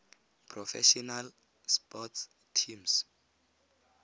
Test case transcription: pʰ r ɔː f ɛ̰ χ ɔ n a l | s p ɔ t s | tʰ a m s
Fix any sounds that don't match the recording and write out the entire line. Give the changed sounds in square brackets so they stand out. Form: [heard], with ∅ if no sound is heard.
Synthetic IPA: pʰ r [ɔ] f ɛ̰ [ʃ] ɔ n a l | s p ɔ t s | tʰ [i] m s